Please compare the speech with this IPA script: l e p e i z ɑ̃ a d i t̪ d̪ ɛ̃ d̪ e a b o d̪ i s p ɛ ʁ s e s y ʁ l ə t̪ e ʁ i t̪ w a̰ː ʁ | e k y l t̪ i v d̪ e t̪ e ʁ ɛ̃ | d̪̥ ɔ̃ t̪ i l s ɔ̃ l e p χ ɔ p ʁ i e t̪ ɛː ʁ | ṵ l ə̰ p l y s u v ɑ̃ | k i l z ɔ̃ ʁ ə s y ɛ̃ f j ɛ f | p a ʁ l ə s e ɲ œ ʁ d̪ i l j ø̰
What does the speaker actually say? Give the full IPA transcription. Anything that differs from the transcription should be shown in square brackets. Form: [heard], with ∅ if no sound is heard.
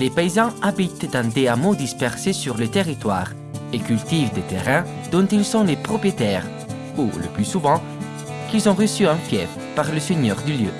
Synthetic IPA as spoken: l e p e i z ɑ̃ a [b] i t̪ d̪ ɛ̃ d̪ e a [m] o d̪ i s p ɛ ʁ s e s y ʁ l ə t̪ e ʁ i t̪ w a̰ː ʁ | e k y l t̪ i v d̪ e t̪ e ʁ ɛ̃ | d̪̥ ɔ̃ t̪ i l s ɔ̃ l e p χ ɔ p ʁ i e t̪ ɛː ʁ | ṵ l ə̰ p l y s u v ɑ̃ | k i l z ɔ̃ ʁ ə s y ɛ̃ f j ɛ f | p a ʁ l ə s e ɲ œ ʁ d̪ [y] l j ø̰

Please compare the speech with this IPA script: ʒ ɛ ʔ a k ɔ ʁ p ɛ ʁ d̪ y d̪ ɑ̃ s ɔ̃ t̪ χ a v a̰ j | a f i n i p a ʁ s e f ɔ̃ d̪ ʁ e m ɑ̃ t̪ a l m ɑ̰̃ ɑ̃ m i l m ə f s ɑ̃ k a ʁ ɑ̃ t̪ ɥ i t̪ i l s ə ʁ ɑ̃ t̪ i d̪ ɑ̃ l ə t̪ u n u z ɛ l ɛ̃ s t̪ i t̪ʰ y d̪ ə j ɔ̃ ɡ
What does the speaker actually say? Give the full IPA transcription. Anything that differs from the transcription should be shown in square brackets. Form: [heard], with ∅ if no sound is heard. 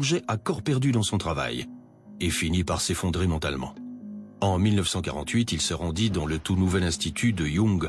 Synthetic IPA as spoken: ʒ ɛ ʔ a k ɔ ʁ p ɛ ʁ d̪ y d̪ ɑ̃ s ɔ̃ t̪ χ a v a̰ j | [e] f i n i p a ʁ s e f ɔ̃ d̪ ʁ e m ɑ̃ t̪ a l m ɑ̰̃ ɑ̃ m i l [n] ə f s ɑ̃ k a ʁ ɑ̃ t̪ ɥ i t̪ i l s ə ʁ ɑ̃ [d̪] i d̪ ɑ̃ l ə t̪ u n u [v] ɛ l ɛ̃ s t̪ i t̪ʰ y d̪ ə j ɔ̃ ɡ

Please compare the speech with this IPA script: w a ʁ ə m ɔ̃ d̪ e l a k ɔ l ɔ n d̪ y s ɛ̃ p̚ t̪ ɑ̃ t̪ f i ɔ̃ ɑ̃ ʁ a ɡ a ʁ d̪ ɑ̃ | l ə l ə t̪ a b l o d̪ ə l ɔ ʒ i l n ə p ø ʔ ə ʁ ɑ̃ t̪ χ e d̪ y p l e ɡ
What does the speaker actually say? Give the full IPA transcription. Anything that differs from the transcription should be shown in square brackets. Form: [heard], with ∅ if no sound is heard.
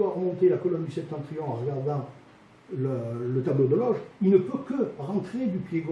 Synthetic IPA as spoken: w a ʁ ə m ɔ̃ [t̪] e l a k ɔ l ɔ n d̪ y s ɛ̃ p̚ t̪ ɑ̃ t̪ [χ] i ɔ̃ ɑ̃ ʁ [ə] ɡ a ʁ d̪ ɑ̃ | l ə l ə t̪ a b l o d̪ ə l ɔ ʒ i l n ə p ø [k] ə ʁ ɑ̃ t̪ χ e d̪ y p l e ɡ

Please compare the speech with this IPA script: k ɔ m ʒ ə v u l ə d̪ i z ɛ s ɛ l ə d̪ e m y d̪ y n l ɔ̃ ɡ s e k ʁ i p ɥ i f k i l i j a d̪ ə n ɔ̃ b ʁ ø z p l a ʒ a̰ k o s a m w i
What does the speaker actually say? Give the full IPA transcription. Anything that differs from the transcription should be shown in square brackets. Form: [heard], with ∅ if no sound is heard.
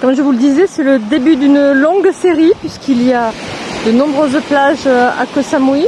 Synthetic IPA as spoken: k ɔ m ʒ ə v u l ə d̪ i z ɛ s ɛ l ə d̪ e [b] y d̪ y n l ɔ̃ ɡ s e [∅] ʁ i p ɥ i [s] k i l i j a d̪ ə n ɔ̃ b ʁ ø z p l a ʒ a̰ k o s a m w i

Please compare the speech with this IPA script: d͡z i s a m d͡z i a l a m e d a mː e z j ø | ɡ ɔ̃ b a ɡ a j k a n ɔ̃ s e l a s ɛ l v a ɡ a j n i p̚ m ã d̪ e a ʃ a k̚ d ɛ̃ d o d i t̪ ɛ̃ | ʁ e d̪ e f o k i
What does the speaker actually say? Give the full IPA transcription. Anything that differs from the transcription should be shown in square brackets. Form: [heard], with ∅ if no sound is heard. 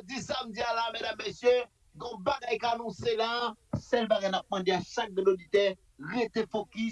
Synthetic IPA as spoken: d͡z i s a m d͡z i a l a m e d a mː e [s] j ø | ɡ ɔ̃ b a ɡ a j k a n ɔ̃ s e l a s ɛ l [b] a ɡ a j n [a] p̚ m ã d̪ e a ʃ a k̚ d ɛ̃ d o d i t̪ [ɛ] | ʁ e [t̪] e f o k i

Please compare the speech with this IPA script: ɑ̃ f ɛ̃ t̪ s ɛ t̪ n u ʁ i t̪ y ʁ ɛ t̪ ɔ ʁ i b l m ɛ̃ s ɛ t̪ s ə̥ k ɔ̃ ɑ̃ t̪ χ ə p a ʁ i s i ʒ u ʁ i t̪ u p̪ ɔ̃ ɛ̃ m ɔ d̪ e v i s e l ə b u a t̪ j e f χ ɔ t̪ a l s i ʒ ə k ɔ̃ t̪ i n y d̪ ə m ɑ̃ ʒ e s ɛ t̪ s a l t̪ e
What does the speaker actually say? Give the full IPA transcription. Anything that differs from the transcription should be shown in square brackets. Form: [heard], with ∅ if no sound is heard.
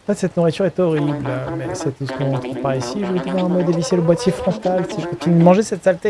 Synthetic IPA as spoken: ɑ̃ f [ɛ] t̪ s ɛ t̪ n u ʁ i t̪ y ʁ ɛ t̪ ɔ ʁ i b l m [ɛ] s ɛ t̪ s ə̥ k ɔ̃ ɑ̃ t̪ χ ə p a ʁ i s i ʒ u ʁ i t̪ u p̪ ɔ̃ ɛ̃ m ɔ d̪ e v i s e l ə b [w] a t̪ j e f χ [ɔ̃] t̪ a l s i ʒ ə k ɔ̃ t̪ i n y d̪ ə m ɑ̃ ʒ e s ɛ t̪ s a l t̪ e

